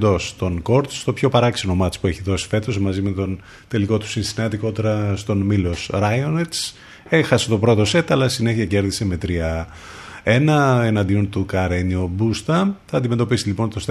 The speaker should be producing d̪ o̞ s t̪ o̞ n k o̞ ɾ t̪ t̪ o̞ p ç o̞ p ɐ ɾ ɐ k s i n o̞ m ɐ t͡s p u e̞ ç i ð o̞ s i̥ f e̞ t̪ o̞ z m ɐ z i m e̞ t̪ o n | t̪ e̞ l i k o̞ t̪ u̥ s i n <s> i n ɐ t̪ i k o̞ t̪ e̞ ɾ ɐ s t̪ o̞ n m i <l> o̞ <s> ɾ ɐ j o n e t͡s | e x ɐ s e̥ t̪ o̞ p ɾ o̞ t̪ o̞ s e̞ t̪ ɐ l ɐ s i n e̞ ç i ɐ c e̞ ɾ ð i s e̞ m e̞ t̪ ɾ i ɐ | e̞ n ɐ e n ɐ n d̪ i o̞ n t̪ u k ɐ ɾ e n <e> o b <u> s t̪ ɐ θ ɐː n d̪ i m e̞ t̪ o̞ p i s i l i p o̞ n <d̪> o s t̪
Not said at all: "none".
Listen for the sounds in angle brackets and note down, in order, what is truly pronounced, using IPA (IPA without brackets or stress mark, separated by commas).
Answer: s, l, s, i, u, t̪